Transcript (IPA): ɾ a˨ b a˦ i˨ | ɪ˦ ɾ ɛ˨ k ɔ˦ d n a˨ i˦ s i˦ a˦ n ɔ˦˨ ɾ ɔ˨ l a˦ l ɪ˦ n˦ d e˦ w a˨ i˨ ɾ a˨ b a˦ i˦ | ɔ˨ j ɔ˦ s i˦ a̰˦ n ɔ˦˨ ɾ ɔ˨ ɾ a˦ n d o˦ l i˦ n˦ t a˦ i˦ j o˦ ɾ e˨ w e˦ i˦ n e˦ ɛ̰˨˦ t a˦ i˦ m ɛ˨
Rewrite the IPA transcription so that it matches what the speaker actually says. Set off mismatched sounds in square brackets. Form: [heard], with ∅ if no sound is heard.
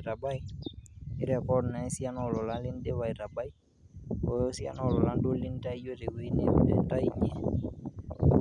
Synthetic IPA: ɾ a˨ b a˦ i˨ | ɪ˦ ɾ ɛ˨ k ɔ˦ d n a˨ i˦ s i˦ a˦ n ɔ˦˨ [l] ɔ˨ l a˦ l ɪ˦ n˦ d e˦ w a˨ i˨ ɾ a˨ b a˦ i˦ | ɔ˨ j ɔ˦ s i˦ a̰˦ n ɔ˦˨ [l] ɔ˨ [l] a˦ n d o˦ l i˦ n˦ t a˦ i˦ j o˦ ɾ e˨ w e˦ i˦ n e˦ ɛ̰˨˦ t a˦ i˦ [ɲ] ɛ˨

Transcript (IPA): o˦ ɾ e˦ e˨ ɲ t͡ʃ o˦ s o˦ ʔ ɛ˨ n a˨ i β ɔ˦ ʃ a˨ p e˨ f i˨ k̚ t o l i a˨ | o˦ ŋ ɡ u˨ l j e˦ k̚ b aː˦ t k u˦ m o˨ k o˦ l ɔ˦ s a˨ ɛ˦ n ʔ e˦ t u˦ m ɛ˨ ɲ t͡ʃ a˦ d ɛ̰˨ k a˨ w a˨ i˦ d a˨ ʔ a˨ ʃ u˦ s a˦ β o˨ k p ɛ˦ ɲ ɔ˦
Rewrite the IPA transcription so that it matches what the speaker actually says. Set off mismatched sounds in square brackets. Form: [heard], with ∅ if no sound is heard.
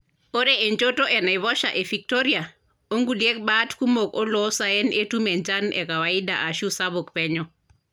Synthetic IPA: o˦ ɾ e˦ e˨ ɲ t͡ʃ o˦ [t] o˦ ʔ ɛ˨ n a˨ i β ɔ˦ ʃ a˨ [ʔ] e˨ f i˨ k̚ t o [ɾ] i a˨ | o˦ ŋ ɡ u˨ l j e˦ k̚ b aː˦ t k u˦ m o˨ k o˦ l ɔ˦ s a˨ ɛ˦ n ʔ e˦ t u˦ m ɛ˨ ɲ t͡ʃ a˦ [n] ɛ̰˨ k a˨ w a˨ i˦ d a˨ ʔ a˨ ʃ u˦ s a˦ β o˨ k p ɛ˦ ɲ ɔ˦

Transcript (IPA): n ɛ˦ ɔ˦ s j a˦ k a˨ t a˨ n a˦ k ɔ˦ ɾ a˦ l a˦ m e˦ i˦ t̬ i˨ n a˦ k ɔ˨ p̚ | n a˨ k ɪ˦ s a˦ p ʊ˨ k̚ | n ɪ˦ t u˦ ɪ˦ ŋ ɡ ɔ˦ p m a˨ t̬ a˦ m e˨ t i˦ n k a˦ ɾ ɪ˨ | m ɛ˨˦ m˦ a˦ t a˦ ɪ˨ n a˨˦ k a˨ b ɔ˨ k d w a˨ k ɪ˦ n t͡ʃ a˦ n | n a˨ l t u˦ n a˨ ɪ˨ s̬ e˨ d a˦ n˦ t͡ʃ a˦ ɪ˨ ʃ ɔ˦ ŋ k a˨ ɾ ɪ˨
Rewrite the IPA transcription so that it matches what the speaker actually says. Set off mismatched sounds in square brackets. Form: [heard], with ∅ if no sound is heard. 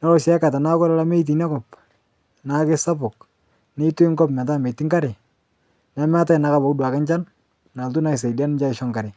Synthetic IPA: n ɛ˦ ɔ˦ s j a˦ k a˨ t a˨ n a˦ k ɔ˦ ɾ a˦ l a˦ m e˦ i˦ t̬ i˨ n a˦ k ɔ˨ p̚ | n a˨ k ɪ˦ s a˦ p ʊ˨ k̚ | n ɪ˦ t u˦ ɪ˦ ŋ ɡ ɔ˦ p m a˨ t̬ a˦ m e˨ t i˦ [ŋ] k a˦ ɾ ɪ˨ | [n] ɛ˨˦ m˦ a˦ t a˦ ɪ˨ n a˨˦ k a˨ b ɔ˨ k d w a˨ k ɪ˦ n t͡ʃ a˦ n | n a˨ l t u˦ n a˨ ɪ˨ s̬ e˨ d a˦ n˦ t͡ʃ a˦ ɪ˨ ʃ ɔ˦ ŋ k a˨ ɾ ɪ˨

